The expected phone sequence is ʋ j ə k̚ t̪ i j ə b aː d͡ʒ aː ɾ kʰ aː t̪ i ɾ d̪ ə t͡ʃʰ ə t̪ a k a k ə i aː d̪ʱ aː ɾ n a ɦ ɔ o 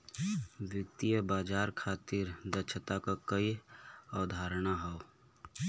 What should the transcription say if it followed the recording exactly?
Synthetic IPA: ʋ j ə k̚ t̪ i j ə b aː d͡ʒ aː ɾ kʰ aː t̪ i ɾ d̪ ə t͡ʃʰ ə t̪ a k a k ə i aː d̪ʱ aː ɾ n a ɦ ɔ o